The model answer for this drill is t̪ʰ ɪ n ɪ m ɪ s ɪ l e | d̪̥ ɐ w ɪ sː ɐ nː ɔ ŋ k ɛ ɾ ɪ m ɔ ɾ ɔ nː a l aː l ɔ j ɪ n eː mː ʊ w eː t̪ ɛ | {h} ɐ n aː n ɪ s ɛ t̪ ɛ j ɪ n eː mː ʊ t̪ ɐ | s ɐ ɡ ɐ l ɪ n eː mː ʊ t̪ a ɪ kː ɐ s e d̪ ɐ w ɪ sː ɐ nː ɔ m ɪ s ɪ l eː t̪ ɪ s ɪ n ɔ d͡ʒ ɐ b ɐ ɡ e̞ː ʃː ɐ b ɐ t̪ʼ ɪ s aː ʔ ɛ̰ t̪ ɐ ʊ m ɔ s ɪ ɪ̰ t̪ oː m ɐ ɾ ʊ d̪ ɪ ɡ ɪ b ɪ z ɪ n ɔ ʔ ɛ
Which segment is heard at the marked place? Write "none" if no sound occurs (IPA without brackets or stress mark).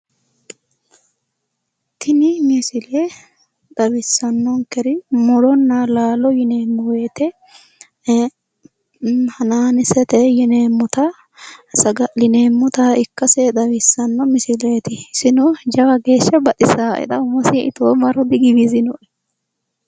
h